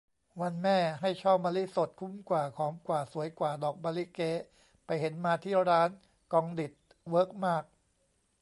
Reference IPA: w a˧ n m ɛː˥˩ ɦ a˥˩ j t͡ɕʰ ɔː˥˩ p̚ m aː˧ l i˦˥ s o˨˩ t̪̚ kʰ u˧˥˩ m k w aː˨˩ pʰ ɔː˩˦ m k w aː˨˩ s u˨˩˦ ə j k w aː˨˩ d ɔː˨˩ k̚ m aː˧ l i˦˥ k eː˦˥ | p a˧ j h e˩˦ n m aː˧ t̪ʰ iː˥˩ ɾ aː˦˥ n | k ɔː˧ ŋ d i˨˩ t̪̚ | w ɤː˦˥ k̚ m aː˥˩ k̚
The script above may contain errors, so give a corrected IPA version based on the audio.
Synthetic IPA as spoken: w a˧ n m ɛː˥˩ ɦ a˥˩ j t͡ɕʰ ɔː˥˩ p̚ m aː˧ l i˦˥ s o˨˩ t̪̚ kʰ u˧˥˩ m k w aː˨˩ kʰ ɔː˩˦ m k w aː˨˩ s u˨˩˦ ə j k w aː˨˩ d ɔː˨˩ k̚ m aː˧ l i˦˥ k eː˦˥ | p a˧ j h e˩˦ n m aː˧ t̪ʰ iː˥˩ ɾ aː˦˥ n | k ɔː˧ ŋ d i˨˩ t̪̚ | w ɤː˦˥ k̚ m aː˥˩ k̚